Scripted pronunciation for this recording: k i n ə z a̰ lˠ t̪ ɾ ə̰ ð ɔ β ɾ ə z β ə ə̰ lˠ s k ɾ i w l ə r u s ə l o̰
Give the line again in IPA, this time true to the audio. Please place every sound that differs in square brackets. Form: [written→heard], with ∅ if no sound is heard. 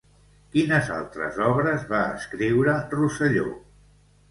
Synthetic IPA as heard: k i n ə z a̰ lˠ t̪ ɾ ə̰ [ð→z] ɔ β ɾ ə z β [ə→a] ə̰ [lˠ→∅] s k ɾ i w [l→ɾ] ə r u s ə [l→ʎ] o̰